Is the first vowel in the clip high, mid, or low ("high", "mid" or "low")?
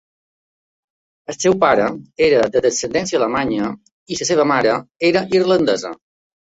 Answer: mid